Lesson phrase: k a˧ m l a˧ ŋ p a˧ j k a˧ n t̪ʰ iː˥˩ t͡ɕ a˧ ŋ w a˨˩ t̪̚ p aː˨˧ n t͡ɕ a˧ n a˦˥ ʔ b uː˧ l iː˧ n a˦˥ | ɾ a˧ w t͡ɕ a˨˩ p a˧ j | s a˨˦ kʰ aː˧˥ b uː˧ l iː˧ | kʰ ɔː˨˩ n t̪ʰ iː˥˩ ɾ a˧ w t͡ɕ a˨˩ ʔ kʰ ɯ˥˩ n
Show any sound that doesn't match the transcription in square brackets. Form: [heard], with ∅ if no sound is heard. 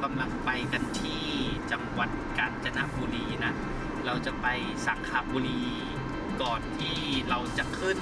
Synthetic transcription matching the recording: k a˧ m l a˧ ŋ p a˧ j k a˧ n t̪ʰ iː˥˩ t͡ɕ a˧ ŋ w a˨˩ t̪̚ [k] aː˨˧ n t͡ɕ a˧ n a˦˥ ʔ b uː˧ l iː˧ n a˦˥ | ɾ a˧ w t͡ɕ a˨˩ p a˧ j | s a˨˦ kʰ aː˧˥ b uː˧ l iː˧ | [k] ɔː˨˩ n t̪ʰ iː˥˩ ɾ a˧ w t͡ɕ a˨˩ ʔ kʰ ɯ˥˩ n

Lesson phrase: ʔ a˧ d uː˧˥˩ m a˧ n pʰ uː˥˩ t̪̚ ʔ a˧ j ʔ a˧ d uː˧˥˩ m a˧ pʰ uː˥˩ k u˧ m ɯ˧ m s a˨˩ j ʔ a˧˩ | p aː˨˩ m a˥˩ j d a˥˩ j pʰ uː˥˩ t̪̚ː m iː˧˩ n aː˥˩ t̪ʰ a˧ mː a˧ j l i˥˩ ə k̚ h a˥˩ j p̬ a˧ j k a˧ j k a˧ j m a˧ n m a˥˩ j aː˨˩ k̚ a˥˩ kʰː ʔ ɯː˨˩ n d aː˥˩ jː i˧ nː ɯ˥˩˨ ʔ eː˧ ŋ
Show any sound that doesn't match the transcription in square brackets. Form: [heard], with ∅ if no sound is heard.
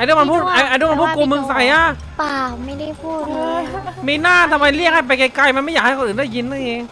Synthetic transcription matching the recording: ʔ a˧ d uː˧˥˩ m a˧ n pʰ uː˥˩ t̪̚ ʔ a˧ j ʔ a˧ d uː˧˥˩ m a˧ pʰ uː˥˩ k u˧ m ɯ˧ [ŋ] s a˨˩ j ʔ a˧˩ | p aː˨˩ m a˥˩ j d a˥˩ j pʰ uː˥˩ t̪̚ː m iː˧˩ n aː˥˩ t̪ʰ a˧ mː a˧ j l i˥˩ ə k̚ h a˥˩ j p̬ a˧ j k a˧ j k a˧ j m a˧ n m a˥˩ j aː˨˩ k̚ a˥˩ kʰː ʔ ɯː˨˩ n d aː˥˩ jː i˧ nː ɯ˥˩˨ ʔ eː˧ ŋ

